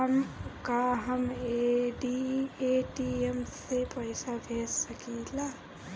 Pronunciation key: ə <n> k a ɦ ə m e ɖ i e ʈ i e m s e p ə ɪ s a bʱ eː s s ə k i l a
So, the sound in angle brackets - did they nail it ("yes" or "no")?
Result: no